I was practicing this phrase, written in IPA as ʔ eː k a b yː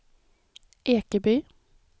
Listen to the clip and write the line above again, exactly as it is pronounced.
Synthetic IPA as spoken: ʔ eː k ə b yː